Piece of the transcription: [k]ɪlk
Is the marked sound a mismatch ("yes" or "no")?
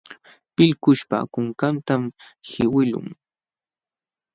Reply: yes